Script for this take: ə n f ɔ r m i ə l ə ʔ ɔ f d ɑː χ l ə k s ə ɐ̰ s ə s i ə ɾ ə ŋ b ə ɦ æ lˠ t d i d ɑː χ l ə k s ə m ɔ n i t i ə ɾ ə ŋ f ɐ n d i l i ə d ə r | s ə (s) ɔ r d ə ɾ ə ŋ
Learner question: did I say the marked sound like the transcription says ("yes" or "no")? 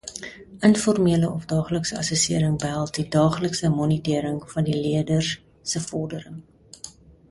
no